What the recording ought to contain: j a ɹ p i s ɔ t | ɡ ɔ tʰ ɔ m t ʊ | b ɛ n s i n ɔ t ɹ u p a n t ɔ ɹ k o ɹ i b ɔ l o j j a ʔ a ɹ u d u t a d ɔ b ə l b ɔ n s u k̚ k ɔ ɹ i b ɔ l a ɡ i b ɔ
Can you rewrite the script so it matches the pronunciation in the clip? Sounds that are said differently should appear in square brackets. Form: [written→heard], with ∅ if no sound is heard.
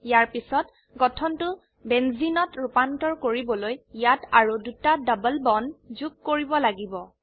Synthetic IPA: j a ɹ p i s ɔ t | ɡ ɔ tʰ ɔ [m→n] t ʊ | b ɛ n [s→z] i n ɔ t ɹ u p a n t ɔ ɹ k o ɹ i b ɔ l o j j a [ʔ→t] a ɹ u d u t a d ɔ b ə l b ɔ n [s→z] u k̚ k [ɔ→o] ɹ i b ɔ l a ɡ i b ɔ